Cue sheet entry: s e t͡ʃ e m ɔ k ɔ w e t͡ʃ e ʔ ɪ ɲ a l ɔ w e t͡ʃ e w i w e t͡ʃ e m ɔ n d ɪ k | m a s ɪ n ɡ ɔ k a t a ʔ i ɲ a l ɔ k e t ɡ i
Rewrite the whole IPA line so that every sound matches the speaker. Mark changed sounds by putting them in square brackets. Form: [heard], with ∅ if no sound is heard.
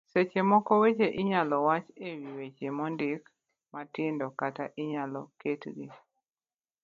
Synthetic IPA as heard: s e t͡ʃ e m ɔ k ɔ w e t͡ʃ e ʔ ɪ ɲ a l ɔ w [a] t͡ʃ e w i w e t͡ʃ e m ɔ n d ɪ k | m a [t] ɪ n [d] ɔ k a t a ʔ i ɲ a l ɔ k e t ɡ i